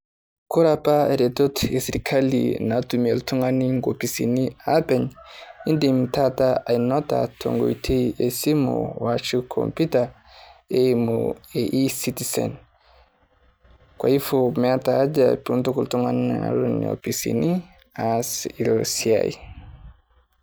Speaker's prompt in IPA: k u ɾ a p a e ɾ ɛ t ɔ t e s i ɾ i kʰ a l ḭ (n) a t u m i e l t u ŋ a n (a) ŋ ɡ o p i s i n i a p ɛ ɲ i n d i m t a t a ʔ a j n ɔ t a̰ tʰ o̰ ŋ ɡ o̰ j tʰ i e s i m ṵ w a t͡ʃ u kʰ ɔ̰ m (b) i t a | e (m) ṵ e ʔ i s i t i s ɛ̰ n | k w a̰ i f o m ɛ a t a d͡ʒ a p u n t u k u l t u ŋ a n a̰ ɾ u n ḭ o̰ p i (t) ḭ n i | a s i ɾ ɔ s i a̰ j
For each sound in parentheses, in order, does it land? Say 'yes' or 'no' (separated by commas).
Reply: yes, no, no, yes, no